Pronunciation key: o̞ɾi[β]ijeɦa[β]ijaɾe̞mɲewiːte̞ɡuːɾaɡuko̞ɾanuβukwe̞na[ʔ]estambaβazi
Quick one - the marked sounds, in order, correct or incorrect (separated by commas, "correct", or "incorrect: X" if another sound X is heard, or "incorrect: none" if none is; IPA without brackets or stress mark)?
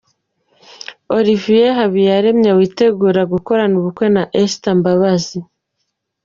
incorrect: v, correct, correct